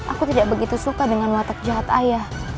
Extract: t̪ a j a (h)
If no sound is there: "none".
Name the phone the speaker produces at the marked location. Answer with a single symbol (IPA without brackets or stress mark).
h